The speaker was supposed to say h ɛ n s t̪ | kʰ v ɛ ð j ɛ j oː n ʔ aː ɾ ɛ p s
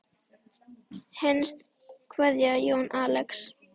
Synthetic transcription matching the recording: h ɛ n s t̪ | kʰ v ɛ ð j a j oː n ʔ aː l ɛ k s